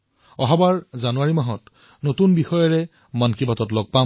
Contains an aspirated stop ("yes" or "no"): no